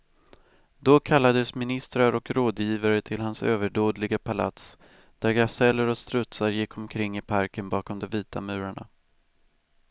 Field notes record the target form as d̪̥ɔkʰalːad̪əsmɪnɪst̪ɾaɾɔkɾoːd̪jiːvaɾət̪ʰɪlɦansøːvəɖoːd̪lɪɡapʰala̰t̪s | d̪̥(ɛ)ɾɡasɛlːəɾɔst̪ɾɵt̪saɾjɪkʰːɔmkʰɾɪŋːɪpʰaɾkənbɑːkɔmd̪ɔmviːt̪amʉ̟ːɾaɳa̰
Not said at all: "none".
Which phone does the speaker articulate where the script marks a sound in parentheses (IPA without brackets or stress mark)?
æ